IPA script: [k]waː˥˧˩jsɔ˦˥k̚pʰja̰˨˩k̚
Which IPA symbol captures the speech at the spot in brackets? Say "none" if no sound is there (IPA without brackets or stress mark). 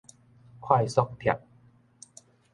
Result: kʰ